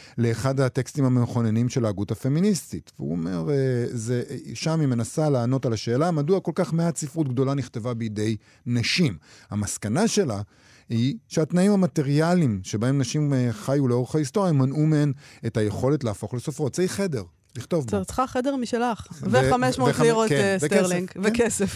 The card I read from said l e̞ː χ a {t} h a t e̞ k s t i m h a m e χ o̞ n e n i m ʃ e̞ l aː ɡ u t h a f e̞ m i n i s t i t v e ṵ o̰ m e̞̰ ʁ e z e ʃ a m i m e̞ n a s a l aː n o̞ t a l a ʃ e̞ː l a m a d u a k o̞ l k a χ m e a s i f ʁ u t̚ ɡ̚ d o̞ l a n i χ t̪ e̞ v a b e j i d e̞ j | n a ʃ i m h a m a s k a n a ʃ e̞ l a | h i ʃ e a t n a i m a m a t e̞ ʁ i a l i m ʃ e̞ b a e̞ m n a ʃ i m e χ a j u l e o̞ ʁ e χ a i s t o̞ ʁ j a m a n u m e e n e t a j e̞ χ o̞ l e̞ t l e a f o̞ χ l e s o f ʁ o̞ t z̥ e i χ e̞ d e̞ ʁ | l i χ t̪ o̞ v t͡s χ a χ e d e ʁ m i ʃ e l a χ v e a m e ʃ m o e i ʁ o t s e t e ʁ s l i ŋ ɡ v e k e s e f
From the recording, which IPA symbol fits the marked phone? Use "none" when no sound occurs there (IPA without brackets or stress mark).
d